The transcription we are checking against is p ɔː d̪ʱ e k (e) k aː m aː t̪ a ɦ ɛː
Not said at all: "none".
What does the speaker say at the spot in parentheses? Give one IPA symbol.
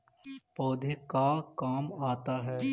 a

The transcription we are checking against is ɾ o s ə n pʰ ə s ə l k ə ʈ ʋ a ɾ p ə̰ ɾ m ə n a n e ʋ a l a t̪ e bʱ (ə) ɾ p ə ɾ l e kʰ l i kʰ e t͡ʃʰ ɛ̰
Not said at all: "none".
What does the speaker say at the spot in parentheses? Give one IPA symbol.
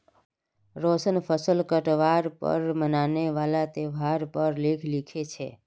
a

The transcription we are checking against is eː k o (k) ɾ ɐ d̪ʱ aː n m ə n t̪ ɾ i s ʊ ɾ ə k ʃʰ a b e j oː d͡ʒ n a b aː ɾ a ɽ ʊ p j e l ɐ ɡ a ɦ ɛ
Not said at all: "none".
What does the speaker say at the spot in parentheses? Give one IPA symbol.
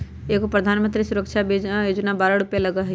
p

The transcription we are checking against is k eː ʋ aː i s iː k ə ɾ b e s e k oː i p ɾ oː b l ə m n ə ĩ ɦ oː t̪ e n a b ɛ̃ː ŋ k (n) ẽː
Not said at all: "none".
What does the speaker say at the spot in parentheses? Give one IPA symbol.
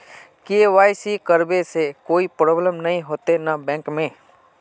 m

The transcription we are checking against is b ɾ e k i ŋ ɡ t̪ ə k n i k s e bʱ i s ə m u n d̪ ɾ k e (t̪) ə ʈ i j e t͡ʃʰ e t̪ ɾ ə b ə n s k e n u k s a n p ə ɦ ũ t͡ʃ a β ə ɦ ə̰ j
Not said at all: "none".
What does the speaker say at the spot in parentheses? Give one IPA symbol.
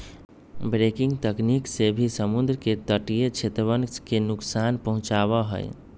t̪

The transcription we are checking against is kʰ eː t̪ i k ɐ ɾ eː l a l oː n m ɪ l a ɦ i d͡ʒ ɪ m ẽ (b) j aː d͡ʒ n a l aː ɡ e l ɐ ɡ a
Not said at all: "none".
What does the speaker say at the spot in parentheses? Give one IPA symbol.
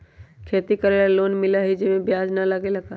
b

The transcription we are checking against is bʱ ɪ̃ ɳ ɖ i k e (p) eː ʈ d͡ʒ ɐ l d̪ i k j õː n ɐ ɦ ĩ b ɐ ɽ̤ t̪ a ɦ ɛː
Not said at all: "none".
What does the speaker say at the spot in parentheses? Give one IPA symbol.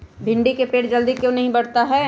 p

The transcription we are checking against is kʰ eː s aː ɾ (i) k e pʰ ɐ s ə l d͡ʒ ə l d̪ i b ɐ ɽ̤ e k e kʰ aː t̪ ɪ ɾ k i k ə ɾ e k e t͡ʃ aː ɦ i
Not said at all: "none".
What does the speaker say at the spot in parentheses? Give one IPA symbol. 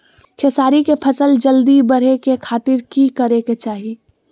i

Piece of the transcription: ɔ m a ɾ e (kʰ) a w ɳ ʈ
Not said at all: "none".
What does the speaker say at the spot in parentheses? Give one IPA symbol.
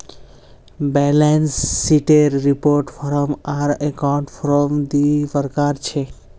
k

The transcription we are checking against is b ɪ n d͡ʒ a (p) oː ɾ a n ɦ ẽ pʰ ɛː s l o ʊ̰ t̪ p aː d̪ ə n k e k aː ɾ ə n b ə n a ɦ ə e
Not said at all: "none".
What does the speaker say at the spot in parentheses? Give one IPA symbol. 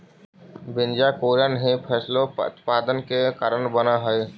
k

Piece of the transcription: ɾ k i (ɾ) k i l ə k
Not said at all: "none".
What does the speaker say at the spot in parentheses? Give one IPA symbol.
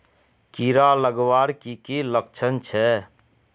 none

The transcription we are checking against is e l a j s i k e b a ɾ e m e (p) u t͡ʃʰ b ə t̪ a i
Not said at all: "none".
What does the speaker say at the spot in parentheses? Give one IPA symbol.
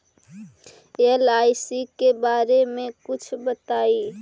k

